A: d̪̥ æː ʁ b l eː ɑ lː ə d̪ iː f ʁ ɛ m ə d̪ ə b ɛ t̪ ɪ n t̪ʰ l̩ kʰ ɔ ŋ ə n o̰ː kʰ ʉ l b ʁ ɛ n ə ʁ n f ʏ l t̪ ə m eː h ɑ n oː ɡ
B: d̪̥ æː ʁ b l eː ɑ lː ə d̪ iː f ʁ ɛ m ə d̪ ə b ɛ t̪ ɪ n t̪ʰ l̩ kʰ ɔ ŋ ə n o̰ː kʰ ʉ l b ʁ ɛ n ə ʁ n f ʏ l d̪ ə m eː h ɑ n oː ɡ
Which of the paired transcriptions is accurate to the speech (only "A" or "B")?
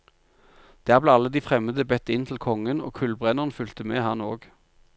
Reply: A